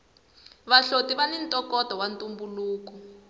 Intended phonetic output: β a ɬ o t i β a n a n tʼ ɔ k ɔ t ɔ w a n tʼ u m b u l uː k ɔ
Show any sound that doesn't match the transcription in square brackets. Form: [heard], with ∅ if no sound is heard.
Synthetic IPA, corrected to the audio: β a ɬ o t i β a n [i] n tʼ ɔ k ɔ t ɔ w a n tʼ u m b u l uː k ɔ